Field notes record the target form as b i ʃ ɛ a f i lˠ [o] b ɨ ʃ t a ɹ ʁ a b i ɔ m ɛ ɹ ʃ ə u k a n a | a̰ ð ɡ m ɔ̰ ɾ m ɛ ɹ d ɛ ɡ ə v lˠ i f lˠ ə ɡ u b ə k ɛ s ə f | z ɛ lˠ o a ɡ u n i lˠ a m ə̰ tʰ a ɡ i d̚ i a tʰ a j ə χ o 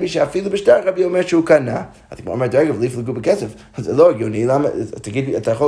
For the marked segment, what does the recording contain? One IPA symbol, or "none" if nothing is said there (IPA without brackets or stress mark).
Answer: u